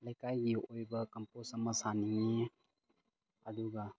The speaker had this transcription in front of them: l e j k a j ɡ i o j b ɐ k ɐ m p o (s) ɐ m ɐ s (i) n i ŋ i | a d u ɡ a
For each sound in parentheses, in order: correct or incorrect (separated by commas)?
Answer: correct, incorrect